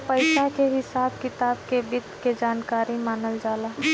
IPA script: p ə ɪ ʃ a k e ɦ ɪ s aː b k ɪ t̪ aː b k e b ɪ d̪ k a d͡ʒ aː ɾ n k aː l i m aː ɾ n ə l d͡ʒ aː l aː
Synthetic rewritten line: p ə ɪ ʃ a k e ɦ ɪ s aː b k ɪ t̪ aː b k e b ɪ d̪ k e d͡ʒ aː n k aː ɾ i m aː n ə l d͡ʒ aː l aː